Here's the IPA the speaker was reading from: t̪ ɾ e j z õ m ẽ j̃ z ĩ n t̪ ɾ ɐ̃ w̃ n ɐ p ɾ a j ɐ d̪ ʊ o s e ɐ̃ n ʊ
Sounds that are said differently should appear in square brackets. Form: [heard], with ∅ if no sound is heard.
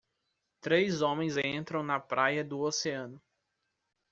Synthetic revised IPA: t̪ ɾ e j z õ m ẽ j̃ z [ẽ] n t̪ ɾ ɐ̃ w̃ n ɐ p ɾ a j ɐ d̪ ʊ o s e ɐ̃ n ʊ